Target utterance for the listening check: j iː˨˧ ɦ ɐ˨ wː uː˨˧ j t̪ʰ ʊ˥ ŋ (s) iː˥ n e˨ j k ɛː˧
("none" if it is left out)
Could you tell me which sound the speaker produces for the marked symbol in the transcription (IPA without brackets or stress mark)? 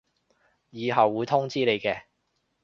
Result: t͡s